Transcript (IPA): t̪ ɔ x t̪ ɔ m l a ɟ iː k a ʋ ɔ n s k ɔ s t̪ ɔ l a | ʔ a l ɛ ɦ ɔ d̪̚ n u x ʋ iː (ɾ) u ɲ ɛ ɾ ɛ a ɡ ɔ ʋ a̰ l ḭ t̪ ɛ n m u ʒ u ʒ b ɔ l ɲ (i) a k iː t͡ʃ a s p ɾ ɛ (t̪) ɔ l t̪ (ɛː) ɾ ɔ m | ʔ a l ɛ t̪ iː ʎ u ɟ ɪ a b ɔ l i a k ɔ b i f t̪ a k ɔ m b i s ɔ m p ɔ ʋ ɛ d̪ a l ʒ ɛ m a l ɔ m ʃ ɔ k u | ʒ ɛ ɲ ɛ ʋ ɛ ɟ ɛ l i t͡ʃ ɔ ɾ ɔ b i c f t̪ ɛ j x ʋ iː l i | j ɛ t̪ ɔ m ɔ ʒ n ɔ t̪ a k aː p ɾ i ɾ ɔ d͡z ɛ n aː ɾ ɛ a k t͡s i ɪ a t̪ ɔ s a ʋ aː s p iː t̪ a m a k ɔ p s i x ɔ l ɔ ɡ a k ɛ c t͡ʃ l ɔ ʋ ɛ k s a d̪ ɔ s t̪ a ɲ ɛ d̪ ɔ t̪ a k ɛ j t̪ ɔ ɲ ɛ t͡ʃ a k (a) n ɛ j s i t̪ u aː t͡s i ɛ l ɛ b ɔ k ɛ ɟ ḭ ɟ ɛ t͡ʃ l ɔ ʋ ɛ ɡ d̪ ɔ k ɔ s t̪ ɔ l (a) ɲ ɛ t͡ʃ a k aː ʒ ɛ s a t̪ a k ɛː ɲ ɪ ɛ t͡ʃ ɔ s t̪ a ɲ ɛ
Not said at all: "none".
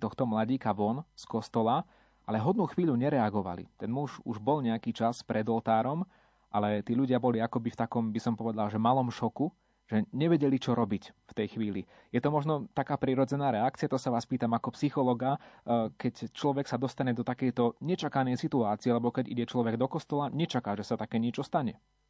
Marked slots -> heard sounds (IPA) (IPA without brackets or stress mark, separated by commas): ʎ, ɛ, d̪, aː, a, a